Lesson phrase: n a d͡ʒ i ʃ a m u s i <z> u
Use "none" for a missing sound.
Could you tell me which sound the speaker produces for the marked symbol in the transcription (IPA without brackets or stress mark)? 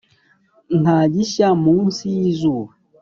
z